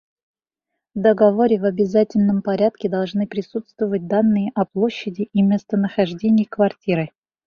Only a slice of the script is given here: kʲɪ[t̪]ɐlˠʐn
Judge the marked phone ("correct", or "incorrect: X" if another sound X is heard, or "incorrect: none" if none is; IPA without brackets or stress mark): incorrect: d̪